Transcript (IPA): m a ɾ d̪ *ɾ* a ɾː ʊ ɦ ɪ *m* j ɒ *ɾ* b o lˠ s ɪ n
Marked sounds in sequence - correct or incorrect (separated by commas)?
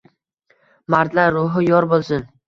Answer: incorrect, incorrect, correct